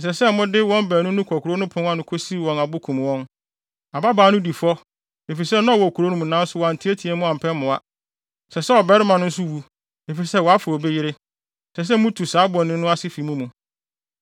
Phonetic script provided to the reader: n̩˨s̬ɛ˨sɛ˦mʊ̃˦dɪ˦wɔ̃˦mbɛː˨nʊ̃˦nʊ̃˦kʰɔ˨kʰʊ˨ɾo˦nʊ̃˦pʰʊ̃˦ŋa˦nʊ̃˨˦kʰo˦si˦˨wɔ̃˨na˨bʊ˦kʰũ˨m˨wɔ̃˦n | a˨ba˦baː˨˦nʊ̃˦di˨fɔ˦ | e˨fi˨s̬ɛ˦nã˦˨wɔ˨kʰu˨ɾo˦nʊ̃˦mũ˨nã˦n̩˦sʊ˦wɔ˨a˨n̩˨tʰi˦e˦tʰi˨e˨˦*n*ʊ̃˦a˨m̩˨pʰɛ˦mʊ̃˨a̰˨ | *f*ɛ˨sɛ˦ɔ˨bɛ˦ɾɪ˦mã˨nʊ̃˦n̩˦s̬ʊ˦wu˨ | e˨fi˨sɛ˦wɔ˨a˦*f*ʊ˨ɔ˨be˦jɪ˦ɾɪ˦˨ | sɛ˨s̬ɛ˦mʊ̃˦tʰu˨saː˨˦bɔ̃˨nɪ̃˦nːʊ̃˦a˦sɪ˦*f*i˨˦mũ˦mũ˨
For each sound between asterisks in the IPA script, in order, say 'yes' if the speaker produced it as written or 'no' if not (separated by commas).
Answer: no, no, yes, yes